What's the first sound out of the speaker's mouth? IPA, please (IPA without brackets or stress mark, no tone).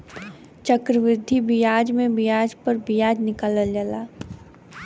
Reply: t͡ʃ